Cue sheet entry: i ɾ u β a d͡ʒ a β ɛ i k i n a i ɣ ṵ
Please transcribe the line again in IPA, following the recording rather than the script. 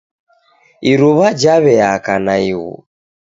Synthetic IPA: i ɾ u β a d͡ʒ a β ɛ a k a n a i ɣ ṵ